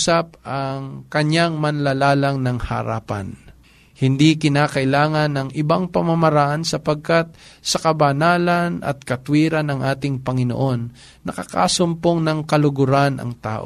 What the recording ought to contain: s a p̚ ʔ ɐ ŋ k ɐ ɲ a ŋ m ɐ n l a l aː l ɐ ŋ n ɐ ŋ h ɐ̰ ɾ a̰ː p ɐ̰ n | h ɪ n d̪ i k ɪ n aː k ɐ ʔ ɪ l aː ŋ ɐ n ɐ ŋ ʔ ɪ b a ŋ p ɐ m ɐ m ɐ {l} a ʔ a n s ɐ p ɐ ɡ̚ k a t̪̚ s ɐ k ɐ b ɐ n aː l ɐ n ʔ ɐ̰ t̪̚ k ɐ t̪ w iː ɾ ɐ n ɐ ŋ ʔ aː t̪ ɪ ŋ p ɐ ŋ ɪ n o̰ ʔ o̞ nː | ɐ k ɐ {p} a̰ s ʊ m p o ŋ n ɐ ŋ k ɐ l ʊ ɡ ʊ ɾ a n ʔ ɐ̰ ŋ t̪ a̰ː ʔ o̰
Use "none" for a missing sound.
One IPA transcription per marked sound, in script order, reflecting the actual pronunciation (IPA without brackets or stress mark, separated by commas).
ɾ, k